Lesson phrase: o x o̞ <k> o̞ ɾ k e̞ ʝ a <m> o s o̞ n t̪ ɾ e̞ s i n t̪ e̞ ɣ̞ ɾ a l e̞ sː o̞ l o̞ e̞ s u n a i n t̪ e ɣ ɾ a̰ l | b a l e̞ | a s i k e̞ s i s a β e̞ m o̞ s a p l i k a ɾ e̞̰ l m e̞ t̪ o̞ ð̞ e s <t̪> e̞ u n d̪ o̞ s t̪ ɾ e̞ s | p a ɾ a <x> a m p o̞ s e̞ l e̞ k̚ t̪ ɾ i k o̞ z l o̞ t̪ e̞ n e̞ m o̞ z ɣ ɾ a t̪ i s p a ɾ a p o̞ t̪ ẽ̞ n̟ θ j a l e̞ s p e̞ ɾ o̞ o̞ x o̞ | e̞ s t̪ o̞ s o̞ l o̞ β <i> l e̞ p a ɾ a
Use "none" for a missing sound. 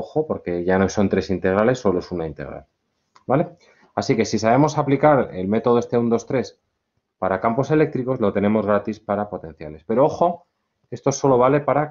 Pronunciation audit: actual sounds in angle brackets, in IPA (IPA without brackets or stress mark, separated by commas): p, n, t̪, k, a